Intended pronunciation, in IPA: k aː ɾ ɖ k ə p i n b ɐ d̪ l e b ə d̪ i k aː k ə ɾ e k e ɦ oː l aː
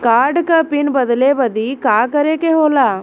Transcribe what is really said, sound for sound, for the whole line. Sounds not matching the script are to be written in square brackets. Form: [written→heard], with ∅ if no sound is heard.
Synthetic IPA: k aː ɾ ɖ k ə p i n b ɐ d̪ l e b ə d̪ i k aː k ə ɾ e k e ɦ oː l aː